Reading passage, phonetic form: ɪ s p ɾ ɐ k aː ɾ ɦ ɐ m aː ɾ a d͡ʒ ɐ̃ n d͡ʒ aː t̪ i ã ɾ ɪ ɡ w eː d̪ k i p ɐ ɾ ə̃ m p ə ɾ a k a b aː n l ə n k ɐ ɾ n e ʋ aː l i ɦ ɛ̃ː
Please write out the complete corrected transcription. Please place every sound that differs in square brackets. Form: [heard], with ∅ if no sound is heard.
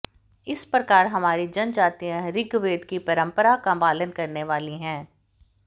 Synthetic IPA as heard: ɪ s p ɾ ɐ k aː ɾ ɦ ɐ m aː ɾ [i] d͡ʒ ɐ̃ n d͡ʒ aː t̪ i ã ɾ ɪ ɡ [ʋ] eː d̪ k i p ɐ ɾ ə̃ m p ə ɾ a k a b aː [∅] l ə n k ɐ ɾ n e ʋ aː l i ɦ ɛ̃ː